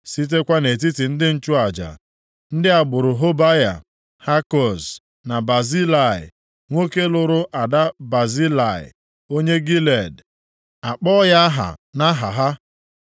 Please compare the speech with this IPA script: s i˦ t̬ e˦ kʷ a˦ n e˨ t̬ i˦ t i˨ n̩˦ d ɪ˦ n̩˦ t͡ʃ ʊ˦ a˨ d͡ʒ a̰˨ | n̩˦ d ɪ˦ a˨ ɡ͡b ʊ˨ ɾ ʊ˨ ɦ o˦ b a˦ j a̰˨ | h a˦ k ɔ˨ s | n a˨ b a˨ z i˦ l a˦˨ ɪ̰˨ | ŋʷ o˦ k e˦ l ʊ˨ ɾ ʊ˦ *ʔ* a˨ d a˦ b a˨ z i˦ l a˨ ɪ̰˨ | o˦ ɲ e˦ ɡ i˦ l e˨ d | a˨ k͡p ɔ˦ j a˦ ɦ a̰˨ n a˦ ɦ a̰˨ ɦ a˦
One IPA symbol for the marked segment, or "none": ʔ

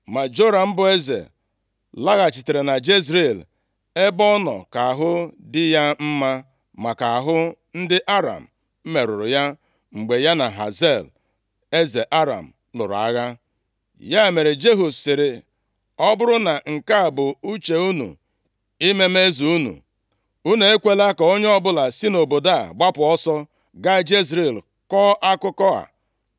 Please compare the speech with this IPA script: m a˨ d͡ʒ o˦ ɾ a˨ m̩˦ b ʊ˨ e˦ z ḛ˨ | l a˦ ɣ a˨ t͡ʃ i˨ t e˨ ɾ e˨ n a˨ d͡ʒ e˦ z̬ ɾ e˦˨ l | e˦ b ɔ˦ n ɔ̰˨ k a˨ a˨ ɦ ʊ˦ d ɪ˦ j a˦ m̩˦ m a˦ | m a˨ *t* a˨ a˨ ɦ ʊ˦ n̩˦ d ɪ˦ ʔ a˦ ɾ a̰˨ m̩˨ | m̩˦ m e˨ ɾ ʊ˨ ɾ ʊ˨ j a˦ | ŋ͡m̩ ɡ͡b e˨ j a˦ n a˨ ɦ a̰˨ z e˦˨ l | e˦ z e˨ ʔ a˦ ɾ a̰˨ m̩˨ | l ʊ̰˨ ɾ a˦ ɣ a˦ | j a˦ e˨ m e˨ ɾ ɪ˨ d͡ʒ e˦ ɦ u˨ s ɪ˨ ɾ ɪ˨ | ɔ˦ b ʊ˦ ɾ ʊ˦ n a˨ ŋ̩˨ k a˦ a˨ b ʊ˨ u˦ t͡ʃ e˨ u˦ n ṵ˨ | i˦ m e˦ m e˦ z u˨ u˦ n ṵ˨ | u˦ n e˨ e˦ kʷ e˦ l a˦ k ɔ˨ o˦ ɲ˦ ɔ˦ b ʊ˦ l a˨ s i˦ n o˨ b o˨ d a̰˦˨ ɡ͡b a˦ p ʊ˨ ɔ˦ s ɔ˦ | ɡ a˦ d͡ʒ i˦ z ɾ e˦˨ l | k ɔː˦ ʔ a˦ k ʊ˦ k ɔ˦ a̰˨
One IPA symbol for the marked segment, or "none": k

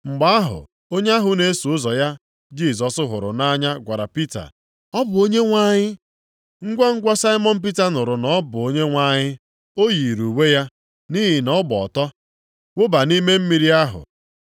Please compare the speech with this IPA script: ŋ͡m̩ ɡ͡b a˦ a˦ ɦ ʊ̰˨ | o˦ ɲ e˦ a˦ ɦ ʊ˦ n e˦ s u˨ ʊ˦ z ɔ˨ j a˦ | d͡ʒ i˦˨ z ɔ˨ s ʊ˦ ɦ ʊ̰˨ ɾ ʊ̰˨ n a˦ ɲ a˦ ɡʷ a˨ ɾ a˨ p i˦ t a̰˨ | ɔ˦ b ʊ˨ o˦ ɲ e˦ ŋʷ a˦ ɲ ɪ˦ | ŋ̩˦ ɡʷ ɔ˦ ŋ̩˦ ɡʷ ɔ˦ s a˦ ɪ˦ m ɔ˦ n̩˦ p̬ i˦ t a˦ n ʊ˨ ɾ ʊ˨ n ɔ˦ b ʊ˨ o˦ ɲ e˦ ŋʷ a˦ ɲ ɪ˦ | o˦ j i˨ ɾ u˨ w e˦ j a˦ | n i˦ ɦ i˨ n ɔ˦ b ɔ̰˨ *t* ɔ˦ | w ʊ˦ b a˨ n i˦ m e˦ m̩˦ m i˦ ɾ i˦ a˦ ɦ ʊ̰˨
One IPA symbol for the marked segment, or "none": t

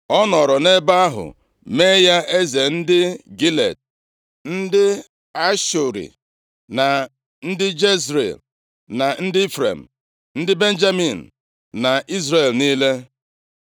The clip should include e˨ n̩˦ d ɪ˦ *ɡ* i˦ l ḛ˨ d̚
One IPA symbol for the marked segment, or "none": ɡ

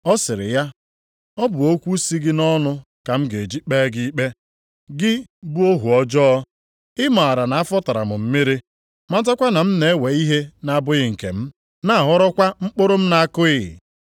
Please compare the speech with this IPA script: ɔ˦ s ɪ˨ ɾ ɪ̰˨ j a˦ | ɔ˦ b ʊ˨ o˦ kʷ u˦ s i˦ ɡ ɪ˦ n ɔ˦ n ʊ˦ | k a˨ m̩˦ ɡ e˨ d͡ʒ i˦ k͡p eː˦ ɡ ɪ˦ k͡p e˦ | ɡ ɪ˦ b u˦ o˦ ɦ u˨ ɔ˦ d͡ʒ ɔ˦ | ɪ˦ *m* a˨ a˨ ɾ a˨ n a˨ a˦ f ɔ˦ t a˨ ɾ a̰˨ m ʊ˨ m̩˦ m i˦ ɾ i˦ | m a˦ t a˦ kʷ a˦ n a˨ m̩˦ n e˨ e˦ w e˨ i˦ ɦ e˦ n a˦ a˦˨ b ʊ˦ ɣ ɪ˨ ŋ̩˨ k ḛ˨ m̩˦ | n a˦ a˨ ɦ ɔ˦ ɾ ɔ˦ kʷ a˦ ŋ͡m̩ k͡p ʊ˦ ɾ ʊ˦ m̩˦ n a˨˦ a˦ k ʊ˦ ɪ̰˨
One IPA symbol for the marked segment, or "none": m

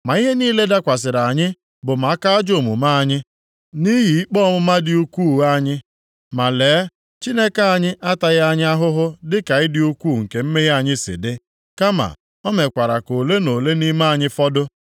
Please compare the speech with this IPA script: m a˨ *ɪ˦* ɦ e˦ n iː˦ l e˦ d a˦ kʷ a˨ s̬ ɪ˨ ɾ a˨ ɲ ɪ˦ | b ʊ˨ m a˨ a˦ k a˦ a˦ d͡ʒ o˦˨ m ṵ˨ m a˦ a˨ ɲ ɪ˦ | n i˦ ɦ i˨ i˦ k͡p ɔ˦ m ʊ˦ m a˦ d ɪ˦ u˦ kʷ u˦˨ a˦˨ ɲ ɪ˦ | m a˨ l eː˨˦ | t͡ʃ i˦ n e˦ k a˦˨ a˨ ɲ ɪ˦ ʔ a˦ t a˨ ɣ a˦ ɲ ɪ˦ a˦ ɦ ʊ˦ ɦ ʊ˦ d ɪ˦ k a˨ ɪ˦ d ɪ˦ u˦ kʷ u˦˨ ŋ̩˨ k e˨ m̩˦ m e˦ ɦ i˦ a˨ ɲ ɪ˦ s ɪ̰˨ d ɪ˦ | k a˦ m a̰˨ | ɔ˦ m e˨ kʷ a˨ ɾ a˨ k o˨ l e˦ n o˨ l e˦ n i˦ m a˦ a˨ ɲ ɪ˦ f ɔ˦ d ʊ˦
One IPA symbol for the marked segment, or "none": i˦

